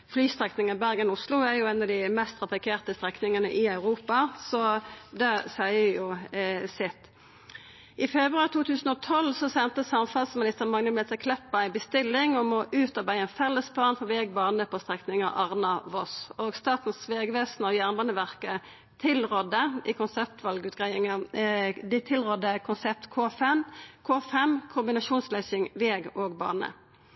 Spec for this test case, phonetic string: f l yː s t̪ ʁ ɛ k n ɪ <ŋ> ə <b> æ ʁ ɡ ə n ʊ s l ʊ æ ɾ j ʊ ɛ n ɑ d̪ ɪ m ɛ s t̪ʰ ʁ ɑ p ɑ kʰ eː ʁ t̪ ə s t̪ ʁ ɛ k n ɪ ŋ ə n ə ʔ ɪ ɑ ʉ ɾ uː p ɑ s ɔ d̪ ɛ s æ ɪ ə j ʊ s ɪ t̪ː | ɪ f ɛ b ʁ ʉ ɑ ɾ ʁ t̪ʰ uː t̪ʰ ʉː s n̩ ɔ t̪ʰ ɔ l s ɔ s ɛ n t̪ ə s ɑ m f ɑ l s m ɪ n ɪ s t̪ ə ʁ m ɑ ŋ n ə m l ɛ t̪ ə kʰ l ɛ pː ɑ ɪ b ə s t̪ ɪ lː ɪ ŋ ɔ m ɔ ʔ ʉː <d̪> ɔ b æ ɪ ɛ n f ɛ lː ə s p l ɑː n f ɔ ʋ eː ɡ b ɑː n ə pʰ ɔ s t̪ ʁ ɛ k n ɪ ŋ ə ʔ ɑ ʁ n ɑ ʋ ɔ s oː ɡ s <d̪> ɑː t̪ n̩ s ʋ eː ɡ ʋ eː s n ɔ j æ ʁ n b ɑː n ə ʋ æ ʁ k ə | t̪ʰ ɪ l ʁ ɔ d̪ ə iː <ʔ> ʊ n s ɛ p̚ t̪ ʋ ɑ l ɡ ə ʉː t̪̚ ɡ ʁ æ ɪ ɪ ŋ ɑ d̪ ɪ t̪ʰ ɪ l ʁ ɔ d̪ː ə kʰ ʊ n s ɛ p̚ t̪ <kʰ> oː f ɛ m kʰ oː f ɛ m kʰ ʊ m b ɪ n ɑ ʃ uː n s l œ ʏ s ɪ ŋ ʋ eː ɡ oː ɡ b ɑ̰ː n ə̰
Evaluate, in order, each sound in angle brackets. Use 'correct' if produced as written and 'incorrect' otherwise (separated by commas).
correct, correct, incorrect, incorrect, incorrect, correct